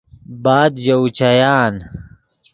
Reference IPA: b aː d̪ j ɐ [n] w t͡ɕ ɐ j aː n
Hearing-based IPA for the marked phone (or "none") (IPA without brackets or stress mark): none